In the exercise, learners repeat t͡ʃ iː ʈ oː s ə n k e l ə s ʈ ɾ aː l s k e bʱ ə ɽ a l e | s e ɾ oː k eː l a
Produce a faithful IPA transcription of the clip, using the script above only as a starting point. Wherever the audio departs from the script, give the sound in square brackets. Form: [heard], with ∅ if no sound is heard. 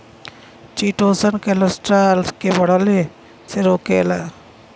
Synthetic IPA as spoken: t͡ʃ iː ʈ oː s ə n k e l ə s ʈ ɾ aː l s k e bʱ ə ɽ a l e | s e ɾ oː k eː l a